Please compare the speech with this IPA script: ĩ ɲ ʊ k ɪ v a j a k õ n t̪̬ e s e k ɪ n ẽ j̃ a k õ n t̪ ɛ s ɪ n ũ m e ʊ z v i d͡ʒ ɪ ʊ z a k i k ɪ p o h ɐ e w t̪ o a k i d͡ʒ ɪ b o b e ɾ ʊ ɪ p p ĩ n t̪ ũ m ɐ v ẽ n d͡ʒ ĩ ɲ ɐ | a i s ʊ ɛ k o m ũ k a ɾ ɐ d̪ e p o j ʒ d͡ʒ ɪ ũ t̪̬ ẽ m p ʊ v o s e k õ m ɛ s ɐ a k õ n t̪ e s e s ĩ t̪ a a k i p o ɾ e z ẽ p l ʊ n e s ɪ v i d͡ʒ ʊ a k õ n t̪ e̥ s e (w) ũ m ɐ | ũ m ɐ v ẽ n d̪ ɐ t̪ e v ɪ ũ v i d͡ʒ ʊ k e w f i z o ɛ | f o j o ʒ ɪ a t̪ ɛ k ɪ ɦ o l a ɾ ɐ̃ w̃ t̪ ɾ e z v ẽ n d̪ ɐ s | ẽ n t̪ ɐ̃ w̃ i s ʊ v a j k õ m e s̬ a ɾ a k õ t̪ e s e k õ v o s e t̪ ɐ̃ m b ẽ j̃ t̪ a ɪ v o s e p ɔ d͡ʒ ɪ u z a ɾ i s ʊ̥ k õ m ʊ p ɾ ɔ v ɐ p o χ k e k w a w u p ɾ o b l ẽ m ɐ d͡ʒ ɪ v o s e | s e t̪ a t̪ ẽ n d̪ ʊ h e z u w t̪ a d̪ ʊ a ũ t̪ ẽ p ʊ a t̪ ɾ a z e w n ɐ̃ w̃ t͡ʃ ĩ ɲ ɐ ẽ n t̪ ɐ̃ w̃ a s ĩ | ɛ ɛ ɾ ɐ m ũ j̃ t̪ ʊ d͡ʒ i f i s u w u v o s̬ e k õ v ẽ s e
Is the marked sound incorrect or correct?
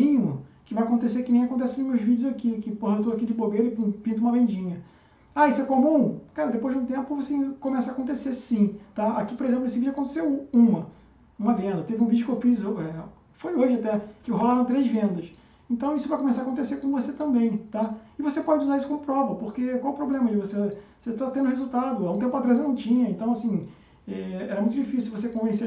correct